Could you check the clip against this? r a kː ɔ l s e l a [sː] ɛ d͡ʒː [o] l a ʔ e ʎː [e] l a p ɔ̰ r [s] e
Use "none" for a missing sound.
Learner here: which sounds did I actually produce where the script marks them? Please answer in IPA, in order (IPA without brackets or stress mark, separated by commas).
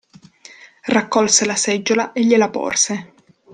s, o, e, s